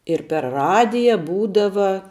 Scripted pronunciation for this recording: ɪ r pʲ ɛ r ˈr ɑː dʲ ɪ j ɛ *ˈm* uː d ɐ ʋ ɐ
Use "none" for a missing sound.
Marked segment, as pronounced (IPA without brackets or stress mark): b